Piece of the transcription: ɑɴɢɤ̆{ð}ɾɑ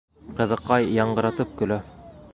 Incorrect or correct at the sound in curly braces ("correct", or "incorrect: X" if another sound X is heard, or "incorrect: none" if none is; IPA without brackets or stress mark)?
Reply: incorrect: none